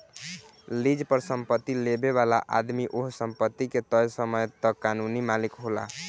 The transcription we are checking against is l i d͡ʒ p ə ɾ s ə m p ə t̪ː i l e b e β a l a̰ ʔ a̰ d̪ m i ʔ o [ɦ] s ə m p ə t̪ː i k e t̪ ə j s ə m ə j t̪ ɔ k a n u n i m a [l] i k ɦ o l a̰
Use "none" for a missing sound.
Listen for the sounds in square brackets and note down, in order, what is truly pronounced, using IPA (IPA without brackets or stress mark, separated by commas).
ɦ, l